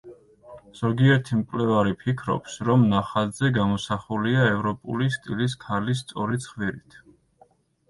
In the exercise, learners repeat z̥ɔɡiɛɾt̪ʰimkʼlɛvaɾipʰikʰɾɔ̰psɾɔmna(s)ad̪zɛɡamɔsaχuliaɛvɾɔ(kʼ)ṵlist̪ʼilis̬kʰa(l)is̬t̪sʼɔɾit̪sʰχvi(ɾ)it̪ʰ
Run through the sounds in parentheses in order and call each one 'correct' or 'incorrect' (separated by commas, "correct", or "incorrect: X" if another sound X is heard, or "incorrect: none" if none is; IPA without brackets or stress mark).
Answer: incorrect: χ, incorrect: pʼ, correct, correct